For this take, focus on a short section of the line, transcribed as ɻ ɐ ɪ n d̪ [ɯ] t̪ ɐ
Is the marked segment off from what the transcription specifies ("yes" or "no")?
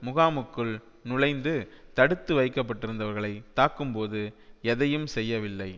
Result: no